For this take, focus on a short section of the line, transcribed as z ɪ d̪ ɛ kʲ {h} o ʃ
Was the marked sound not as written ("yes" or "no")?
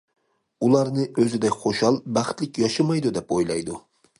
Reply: yes